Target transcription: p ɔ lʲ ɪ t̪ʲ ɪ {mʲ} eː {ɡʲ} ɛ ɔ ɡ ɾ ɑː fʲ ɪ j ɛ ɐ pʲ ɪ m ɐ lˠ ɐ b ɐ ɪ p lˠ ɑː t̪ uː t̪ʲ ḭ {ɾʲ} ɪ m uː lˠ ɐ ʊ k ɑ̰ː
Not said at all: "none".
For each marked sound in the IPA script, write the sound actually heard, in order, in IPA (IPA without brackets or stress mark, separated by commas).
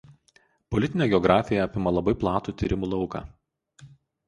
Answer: nʲ, ɡʲ, ɾʲ